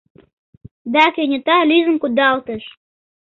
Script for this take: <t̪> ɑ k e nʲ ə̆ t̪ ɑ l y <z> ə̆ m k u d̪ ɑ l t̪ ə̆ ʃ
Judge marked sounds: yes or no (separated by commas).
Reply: no, yes